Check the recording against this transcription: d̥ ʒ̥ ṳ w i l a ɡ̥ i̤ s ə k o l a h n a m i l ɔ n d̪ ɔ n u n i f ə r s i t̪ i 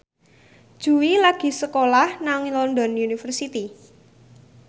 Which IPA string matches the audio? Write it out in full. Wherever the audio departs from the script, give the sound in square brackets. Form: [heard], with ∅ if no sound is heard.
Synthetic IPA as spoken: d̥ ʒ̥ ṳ w i l a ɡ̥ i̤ s ə k o l a h n a [ŋ] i l ɔ n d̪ ɔ n u n i f ə r s i t̪ i